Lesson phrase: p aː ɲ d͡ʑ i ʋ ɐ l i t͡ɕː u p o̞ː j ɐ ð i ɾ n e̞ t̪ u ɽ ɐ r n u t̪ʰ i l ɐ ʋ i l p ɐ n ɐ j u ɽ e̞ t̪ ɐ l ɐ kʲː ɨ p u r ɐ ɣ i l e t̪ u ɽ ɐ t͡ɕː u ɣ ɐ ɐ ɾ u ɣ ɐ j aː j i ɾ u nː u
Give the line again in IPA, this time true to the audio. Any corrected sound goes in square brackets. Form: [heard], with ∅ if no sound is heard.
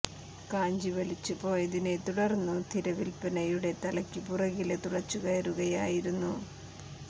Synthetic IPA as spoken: [k] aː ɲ d͡ʑ i ʋ ɐ l i t͡ɕː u p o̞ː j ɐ ð i [∅] n e̞ t̪ u ɽ ɐ r [nː] u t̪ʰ i [ɾ] ɐ ʋ i l p ɐ n ɐ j u ɽ e̞ t̪ ɐ l ɐ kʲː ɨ p u r ɐ ɣ i l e t̪ u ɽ ɐ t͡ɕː u ɣ ɐ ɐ ɾ u ɣ ɐ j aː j i ɾ u nː u